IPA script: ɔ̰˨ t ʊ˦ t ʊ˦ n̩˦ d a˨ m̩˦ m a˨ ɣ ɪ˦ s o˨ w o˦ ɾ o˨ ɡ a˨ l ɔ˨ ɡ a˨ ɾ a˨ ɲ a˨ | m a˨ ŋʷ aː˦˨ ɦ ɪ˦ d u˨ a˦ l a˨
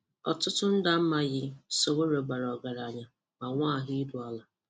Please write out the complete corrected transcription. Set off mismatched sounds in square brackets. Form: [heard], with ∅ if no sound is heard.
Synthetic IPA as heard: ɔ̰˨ t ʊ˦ t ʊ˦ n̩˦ d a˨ m̩˦ m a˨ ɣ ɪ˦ s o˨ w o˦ ɾ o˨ [ɡ͡b] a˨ [ɾ] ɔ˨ ɡ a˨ ɾ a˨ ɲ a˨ | m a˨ ŋʷ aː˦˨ ɦ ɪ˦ d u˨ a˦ l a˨